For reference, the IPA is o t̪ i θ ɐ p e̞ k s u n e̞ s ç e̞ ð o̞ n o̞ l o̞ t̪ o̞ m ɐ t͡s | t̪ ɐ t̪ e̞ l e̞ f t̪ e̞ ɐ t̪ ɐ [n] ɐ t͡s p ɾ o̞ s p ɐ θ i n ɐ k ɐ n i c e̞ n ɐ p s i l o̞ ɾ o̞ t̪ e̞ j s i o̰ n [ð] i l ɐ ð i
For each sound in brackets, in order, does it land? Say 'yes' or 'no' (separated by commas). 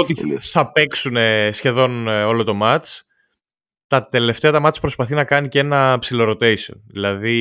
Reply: no, yes